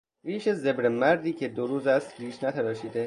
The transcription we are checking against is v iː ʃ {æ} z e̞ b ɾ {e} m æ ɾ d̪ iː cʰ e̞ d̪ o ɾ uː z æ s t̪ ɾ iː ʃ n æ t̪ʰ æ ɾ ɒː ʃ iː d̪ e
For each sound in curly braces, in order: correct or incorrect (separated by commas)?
incorrect, correct